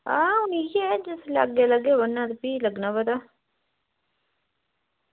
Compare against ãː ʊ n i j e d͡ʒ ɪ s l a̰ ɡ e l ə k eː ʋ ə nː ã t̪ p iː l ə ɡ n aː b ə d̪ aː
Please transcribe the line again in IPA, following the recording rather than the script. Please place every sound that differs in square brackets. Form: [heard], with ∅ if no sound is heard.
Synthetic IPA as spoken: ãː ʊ n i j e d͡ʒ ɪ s l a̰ ɡ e l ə [ɡ] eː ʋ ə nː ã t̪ p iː l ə ɡ n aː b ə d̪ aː